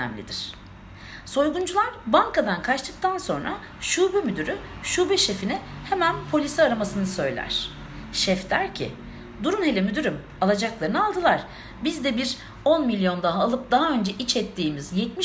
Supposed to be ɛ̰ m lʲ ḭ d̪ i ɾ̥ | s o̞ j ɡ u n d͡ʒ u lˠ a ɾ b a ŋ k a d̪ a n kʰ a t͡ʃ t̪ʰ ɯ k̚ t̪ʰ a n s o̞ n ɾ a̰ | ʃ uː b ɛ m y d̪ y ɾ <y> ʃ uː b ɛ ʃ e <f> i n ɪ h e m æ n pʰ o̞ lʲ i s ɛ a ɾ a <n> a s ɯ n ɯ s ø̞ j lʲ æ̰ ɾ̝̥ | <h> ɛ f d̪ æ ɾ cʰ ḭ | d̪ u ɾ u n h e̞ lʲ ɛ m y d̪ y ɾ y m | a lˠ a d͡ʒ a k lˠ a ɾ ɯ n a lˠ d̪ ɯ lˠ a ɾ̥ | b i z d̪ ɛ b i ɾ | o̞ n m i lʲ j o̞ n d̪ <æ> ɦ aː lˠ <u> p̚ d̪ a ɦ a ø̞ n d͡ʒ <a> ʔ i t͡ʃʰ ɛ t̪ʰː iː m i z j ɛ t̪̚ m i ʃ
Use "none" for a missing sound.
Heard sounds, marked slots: y, f, m, ʃ, a, ɯ, ɛ

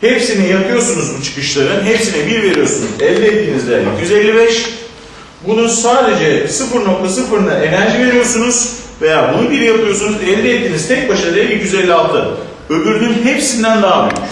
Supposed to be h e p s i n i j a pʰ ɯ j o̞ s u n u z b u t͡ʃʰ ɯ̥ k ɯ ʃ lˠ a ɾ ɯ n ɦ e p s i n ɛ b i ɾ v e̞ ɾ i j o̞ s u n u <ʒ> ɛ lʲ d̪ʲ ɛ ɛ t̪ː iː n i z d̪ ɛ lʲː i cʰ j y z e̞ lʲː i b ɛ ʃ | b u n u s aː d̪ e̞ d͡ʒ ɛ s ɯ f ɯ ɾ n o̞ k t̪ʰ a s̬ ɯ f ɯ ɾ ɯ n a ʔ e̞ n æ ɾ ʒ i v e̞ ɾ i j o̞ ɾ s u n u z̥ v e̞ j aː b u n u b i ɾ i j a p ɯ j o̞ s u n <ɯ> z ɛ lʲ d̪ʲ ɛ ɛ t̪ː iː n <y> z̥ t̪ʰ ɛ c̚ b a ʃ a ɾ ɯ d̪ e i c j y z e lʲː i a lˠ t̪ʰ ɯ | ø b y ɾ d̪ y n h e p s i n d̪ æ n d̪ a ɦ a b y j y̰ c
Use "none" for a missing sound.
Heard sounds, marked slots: z, u, i

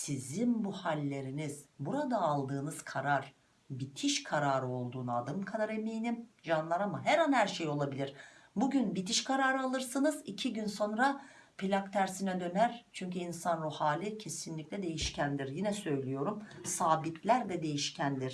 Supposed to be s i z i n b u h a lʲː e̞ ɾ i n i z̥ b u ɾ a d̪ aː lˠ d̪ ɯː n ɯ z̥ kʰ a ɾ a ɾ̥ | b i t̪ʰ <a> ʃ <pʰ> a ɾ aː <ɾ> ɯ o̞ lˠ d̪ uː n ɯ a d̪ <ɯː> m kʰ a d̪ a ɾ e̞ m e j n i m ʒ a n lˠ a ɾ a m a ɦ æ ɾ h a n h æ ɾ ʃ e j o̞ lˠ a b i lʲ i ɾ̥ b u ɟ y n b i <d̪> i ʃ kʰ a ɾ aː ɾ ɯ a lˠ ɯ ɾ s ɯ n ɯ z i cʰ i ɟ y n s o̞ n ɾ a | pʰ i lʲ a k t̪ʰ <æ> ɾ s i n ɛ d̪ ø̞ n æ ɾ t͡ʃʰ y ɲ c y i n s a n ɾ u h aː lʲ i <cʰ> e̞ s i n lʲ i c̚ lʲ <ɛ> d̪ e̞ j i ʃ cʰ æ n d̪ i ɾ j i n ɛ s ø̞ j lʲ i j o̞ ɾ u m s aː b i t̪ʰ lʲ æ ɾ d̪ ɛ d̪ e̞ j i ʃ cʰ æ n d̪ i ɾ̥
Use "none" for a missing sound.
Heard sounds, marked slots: i, kʰ, ɾ, ɯ, t̪, æ, cʰ, ɛ

